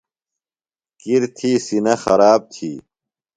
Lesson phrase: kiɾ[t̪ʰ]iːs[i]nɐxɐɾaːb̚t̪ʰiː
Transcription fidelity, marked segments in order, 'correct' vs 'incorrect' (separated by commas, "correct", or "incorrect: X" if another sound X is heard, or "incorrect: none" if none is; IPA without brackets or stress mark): correct, correct